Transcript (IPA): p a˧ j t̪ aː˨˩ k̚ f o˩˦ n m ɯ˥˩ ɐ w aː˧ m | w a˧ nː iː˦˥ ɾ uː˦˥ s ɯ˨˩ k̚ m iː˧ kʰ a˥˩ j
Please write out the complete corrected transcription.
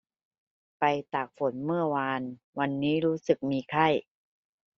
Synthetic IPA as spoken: p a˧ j t̪ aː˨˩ k̚ f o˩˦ n m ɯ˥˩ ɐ w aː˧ n | w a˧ nː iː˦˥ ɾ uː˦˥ s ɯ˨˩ k̚ m iː˧ kʰ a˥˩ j